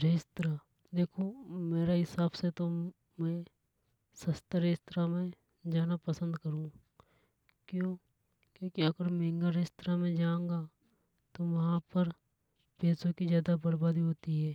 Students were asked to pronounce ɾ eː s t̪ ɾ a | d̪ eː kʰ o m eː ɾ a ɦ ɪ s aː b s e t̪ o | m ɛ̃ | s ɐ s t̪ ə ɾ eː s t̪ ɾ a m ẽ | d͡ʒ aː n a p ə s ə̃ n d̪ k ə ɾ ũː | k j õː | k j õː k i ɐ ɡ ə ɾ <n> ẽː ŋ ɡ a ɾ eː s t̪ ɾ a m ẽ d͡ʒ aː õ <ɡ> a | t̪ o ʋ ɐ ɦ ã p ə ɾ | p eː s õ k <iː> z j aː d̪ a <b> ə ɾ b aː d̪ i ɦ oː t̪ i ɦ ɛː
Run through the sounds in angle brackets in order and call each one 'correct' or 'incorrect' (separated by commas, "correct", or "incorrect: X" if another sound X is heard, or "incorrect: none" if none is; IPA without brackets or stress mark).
incorrect: m, correct, incorrect: i, correct